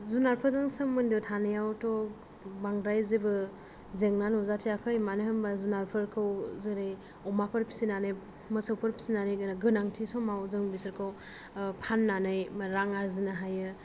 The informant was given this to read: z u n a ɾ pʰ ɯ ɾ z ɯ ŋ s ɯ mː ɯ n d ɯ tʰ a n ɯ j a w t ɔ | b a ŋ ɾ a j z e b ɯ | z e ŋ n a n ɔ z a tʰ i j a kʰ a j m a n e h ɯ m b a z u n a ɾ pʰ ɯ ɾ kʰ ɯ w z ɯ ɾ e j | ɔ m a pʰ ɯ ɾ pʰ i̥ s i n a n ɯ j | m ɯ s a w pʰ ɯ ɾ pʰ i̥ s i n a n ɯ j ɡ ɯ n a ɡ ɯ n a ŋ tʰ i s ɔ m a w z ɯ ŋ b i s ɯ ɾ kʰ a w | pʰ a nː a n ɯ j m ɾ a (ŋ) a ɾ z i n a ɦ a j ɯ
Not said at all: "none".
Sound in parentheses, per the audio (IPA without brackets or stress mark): ŋ